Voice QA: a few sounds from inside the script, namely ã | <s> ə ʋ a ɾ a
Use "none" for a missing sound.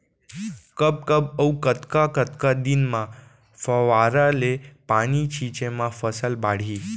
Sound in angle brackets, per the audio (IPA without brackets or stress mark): f